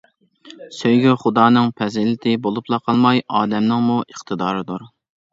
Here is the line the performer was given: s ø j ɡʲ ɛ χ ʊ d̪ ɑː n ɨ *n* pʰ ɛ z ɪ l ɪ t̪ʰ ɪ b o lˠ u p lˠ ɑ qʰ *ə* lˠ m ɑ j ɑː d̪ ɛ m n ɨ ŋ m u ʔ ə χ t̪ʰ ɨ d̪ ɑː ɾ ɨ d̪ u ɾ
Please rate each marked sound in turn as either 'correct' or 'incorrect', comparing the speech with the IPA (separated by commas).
incorrect, incorrect